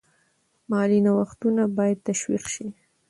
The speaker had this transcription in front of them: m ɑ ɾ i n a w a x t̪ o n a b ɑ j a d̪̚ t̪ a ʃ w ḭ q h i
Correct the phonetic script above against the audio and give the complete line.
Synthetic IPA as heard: m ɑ l i n a w a x t̪ u n a b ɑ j a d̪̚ t̪ a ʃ w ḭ q ʃ i